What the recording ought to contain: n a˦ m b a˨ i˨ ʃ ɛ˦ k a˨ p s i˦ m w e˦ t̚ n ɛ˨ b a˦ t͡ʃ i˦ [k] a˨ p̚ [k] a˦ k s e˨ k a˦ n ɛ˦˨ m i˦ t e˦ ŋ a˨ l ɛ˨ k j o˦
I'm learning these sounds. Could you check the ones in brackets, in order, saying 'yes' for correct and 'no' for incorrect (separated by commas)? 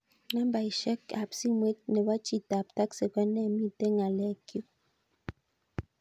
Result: no, no